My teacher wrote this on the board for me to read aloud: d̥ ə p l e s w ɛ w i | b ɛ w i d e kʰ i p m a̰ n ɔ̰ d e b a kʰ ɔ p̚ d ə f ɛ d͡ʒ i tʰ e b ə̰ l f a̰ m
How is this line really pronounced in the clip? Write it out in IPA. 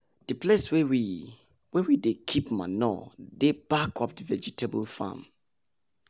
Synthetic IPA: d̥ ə p l e s w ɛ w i | w ɛ w i d e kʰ i p m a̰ n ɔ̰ d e b a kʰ ɔ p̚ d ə v ɛ d͡ʒ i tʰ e b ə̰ l f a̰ m